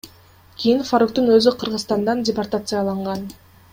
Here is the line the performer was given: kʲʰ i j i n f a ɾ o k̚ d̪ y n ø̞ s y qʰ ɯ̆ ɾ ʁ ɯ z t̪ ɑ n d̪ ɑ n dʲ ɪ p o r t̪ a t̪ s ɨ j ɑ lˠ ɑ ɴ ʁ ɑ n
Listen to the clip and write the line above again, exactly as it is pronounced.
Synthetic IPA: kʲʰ i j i n f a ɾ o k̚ t̪ y n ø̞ z y qʰ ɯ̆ ɾ ʁ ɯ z t̪ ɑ n d̪ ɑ n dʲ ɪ p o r t̪ a t̪ s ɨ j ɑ lˠ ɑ ɴ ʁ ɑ n